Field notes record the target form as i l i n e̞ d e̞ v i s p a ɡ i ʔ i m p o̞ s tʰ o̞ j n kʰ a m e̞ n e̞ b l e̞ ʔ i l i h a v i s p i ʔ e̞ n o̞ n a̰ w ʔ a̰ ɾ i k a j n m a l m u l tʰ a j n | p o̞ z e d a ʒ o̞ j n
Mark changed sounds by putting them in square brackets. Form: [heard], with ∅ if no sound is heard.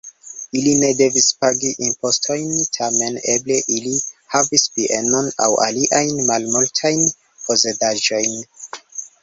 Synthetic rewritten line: i l i n e̞ d e̞ v i s p a ɡ i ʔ i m p o̞ s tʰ o̞ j n [tʰ] a m e̞ n e̞ b l e̞ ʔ i l i h a v i s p i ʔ e̞ n o̞ n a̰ w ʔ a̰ [l] i [ʔ] a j n m a l m u l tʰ a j n | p o̞ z e d a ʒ o̞ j n